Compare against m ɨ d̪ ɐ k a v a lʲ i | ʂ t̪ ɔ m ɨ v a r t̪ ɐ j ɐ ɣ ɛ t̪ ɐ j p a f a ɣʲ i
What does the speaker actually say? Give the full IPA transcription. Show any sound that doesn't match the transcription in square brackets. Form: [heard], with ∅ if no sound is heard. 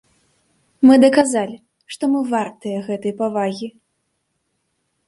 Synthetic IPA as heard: m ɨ d̪ ɐ k a [z] a lʲ i | ʂ t̪ ɔ m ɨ v a r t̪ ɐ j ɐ ɣ ɛ t̪ ɐ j p a [v] a ɣʲ i